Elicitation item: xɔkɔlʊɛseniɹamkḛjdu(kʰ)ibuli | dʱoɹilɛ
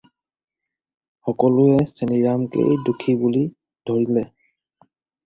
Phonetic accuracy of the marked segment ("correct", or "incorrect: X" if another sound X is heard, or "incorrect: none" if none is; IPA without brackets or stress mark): correct